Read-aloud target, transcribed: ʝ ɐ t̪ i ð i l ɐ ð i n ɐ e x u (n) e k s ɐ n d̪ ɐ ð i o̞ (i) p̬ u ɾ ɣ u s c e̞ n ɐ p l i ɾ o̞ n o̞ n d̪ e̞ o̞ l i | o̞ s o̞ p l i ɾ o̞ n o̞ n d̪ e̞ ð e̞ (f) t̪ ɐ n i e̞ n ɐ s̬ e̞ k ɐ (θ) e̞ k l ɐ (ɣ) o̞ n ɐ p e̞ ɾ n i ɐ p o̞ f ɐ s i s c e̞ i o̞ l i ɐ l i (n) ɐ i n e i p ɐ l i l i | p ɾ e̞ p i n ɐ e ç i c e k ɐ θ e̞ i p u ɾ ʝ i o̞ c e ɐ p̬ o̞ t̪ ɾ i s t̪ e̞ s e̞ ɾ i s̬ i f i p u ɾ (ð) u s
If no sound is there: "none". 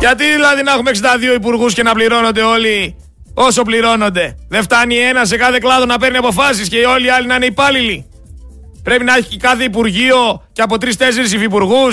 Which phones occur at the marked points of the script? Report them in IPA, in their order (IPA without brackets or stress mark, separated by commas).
m, i, f, θ, ð, n, ɣ